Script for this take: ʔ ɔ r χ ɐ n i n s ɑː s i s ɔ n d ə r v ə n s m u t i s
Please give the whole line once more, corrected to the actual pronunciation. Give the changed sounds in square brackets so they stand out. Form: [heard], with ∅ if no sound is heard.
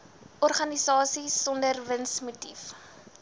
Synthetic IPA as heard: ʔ ɔ r χ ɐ n i [∅] s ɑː s i s ɔ n d ə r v ə n s m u t i [f]

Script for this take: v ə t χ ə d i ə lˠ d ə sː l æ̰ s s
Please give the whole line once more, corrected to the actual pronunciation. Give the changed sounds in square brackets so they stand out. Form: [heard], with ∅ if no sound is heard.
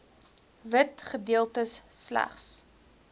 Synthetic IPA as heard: v ə t χ ə d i ə lˠ [t] ə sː l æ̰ [χ] s

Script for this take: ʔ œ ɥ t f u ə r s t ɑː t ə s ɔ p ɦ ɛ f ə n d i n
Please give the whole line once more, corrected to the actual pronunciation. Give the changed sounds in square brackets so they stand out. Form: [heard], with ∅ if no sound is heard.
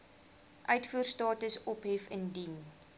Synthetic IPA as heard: ʔ œ ɥ t f u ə r s t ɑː t ə s ɔ p ɦ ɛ f ə n d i n

